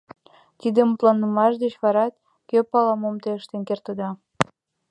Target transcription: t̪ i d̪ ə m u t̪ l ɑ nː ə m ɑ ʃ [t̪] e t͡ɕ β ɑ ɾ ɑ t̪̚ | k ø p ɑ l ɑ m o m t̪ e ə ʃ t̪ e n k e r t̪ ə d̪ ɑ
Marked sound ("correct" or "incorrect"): incorrect